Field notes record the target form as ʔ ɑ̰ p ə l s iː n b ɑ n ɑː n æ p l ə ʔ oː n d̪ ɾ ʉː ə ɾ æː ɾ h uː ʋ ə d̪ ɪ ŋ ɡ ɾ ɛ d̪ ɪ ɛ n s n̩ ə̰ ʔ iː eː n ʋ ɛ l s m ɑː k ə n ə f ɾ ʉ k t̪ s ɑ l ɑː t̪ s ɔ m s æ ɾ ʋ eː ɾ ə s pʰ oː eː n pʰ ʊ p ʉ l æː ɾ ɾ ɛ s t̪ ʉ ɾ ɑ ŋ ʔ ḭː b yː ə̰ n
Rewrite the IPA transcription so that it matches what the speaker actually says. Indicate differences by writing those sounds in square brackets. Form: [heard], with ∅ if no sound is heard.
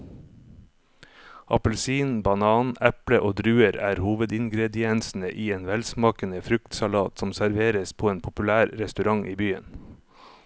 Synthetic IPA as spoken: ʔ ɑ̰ p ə l s iː n b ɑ n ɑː n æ p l ə ʔ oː [∅] d̪ ɾ ʉː ə ɾ æː ɾ h uː ʋ ə d̪ ɪ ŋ ɡ ɾ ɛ d̪ ɪ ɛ n s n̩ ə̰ ʔ iː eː n ʋ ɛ l s m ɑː k ə n ə f ɾ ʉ k t̪ s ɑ l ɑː t̪ s ɔ m s æ ɾ ʋ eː ɾ ə s pʰ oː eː n pʰ ʊ p ʉ l æː ɾ ɾ ɛ s t̪ ʉ ɾ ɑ ŋ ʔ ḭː b yː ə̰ n